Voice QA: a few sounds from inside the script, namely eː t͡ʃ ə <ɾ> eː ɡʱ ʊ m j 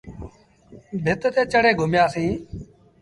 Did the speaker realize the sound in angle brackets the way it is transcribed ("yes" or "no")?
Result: no